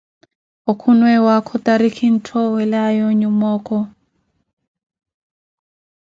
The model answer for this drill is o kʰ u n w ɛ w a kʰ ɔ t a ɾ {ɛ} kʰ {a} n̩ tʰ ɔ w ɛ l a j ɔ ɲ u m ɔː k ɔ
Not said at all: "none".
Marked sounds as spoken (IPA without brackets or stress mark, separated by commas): i, i